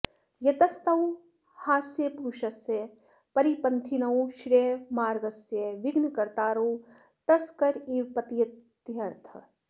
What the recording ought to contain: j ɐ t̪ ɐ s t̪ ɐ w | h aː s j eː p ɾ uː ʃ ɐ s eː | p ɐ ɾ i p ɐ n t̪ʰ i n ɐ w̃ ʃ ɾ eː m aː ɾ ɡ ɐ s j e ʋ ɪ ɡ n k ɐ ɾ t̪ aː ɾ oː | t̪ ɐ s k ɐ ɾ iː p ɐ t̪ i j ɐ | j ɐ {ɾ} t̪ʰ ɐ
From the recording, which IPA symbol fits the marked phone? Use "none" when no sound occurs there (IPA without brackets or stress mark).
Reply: ɾ